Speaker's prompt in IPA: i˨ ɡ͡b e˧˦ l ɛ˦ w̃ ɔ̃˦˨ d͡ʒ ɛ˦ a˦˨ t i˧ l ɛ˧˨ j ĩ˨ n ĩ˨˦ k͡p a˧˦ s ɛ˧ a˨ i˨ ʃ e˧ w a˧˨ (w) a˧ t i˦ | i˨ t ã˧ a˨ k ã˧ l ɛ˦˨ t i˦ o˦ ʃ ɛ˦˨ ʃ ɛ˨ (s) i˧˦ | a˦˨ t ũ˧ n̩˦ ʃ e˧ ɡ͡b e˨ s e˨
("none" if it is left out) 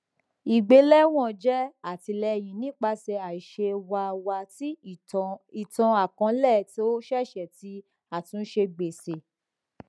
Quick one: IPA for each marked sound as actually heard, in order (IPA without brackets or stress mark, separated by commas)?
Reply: w, t